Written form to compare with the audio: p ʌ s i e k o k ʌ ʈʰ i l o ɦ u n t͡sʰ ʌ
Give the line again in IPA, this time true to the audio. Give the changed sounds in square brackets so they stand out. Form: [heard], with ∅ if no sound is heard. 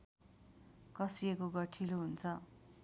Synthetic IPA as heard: [k] ʌ s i e k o [ɡ] ʌ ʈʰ i l o ɦ u n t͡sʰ ʌ